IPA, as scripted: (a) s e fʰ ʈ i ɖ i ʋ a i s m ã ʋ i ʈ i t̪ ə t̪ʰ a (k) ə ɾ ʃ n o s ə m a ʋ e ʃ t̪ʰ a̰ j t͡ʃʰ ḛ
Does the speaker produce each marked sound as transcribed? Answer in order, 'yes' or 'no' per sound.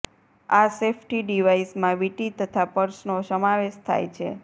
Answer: yes, no

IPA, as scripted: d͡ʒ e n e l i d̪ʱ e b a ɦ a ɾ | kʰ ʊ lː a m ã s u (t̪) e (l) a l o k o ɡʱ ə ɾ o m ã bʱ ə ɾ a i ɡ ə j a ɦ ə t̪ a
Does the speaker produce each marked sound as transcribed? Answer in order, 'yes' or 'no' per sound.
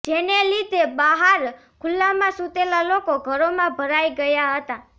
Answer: yes, yes

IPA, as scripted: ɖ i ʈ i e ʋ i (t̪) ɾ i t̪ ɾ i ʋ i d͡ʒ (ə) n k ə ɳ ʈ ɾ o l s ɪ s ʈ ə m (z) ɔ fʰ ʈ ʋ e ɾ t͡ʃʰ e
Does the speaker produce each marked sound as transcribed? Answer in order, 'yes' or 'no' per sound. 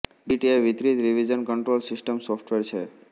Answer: yes, yes, no

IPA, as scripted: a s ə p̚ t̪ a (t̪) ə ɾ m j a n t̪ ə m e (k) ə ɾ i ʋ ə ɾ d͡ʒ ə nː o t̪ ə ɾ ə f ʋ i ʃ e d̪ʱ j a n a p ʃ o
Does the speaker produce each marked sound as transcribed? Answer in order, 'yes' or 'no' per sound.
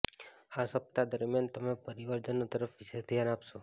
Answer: no, no

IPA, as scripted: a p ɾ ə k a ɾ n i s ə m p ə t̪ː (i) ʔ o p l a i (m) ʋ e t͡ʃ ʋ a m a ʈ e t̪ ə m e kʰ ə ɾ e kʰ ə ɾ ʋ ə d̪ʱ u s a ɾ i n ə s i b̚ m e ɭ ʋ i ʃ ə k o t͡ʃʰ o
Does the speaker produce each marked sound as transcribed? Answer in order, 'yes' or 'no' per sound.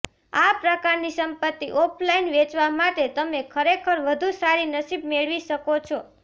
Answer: yes, no

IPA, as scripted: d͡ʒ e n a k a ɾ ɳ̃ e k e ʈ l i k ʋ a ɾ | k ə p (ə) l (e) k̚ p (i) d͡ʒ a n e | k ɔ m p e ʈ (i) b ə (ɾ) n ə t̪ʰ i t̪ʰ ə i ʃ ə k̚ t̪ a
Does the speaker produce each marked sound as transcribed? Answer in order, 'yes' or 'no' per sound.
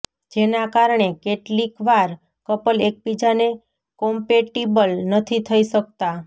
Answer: yes, yes, yes, yes, no

